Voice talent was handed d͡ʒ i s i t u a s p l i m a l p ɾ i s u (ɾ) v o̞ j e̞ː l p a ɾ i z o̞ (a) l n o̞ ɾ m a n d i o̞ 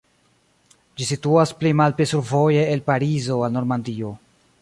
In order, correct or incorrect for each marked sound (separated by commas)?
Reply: correct, correct